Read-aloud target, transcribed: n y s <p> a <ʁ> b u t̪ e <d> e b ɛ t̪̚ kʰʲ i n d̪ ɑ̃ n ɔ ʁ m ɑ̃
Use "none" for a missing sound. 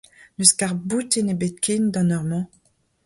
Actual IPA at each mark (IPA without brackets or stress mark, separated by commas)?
k, ʁ, n